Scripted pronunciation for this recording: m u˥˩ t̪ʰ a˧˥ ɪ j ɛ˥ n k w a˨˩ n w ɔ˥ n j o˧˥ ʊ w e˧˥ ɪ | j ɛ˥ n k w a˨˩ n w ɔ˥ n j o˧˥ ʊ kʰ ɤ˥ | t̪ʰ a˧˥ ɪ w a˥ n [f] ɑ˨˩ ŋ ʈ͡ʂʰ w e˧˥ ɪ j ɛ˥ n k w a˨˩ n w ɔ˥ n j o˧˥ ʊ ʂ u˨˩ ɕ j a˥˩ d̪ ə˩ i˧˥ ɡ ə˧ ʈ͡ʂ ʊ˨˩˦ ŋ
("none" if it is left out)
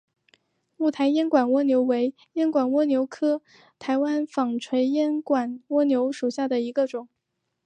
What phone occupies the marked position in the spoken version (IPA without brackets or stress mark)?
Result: f